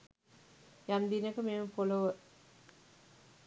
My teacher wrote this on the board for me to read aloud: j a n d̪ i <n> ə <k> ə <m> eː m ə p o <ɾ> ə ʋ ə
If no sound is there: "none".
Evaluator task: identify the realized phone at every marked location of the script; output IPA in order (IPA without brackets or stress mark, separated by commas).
n, k, m, l